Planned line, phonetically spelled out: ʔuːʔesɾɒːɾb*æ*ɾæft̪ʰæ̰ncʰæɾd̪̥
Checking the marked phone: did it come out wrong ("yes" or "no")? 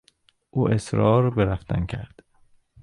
yes